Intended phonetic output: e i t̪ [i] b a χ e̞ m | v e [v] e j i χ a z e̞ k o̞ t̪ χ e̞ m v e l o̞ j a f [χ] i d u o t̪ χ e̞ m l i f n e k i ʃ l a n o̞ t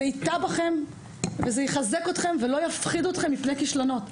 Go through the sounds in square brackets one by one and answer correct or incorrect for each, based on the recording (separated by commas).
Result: incorrect, incorrect, correct